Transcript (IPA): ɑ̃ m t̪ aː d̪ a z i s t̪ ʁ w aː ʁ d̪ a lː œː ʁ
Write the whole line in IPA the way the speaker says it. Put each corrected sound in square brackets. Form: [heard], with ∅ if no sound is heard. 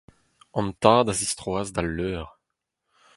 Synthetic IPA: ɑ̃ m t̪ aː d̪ a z i s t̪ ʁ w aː [z] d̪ a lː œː ʁ